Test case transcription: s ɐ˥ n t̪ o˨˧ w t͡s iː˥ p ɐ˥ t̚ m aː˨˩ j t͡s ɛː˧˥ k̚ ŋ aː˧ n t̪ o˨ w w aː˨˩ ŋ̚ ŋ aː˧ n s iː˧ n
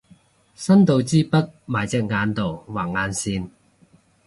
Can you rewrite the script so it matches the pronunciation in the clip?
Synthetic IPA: s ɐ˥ n t̪ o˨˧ w t͡s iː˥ p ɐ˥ t̚ m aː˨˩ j t͡s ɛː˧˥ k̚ ŋ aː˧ n t̪ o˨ w w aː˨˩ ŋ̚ ŋ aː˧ n s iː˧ n